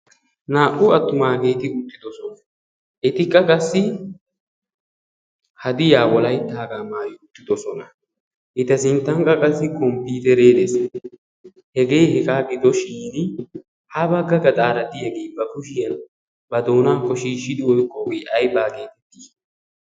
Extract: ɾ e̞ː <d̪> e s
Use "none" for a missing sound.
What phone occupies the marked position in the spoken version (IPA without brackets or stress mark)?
d̪